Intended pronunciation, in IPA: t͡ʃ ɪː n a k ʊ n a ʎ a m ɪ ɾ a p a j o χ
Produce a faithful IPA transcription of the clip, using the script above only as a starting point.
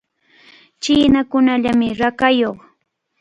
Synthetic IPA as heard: t͡ʃ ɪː n a k ʊ n a ʎ a m ɪ ɾ a k a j o χ